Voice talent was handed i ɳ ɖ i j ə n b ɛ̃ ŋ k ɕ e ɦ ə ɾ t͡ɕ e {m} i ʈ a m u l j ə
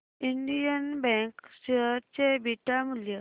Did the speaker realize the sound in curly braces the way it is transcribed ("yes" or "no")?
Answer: no